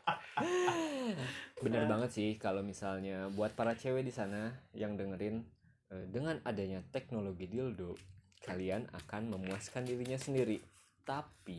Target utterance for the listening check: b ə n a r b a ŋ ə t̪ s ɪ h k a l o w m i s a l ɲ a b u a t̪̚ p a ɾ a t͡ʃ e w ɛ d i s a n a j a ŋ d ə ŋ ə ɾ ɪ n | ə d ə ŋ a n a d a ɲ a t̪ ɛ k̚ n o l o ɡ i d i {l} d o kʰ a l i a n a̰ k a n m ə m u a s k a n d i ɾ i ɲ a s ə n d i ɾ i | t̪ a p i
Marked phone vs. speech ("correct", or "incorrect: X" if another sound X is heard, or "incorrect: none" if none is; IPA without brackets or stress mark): correct